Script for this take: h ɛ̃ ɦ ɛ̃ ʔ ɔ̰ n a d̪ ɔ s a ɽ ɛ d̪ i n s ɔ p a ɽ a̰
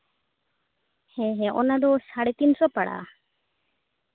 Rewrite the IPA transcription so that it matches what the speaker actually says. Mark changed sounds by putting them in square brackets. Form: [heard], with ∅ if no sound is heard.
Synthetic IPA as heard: h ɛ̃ ɦ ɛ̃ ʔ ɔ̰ n a d̪ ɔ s a ɽ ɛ [t̪] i n s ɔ p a ɽ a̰